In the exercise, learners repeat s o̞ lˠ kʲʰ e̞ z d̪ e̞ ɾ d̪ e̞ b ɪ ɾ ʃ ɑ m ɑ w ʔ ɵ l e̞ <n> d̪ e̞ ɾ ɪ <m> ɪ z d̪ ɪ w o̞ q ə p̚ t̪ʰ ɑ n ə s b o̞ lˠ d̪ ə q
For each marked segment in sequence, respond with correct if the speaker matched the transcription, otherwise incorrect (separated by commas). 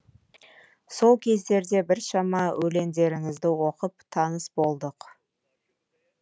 correct, incorrect